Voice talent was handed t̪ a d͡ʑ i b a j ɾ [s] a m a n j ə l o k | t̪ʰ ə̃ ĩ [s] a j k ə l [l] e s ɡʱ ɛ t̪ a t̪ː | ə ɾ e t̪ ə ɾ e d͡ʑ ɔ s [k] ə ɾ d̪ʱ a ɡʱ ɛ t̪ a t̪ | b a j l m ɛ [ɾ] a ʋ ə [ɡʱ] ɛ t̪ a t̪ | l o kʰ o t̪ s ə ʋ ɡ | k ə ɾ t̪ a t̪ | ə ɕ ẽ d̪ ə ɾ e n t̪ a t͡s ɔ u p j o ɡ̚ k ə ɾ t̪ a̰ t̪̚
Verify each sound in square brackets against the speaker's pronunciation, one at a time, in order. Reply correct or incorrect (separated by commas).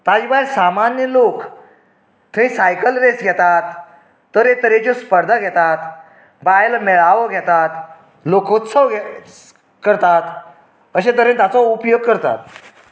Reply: correct, correct, incorrect, incorrect, incorrect, correct